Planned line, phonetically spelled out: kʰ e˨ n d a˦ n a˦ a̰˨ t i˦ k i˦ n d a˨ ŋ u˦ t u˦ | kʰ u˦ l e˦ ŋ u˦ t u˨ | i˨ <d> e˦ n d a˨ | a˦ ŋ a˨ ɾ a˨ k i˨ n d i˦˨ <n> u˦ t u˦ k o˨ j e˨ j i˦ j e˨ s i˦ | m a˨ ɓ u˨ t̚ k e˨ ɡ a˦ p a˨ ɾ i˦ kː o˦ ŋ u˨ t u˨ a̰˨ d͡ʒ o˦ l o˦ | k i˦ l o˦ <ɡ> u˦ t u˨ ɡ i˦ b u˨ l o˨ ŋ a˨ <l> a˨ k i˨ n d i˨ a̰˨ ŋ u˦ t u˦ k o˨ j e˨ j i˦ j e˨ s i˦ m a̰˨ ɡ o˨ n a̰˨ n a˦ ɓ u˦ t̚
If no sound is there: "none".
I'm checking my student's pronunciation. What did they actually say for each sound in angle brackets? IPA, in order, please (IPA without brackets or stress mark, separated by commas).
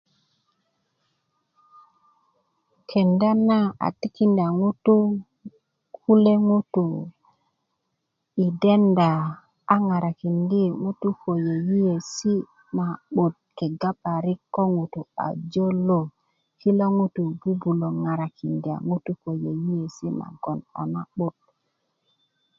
d, ŋ, ŋ, ɾ